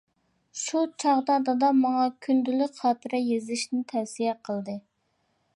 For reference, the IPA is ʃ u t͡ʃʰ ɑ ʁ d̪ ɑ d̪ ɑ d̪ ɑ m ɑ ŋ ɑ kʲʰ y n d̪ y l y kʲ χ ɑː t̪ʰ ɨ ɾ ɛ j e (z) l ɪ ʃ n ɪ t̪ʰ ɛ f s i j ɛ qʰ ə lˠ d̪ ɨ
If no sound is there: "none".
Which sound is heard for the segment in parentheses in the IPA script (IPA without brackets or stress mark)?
z